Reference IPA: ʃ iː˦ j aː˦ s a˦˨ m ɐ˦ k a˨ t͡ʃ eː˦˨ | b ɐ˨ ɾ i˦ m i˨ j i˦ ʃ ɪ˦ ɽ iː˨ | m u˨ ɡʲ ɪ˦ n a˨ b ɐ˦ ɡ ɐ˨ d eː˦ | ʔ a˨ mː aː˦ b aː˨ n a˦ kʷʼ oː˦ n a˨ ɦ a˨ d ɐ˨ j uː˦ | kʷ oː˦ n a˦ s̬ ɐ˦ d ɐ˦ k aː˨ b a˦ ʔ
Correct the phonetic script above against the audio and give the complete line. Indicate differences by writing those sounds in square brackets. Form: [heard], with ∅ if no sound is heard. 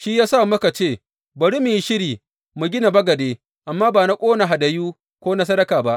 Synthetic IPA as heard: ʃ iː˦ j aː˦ s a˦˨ m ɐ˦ k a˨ t͡ʃ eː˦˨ | b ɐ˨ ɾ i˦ m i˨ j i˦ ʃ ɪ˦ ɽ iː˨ | m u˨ ɡʲ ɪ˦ n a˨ b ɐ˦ ɡ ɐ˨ d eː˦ | ʔ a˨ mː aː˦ b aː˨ n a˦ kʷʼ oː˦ n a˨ ɦ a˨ d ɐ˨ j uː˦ | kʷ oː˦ n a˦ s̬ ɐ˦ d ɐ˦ k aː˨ b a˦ ʔ